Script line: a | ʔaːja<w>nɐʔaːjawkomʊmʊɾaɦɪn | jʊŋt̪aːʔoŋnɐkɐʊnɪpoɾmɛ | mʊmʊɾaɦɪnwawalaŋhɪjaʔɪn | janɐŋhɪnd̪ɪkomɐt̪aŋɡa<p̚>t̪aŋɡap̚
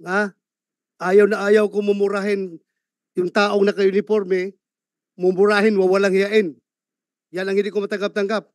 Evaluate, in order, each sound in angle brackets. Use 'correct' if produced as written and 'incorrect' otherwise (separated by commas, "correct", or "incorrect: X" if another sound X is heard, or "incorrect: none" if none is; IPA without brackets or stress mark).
correct, correct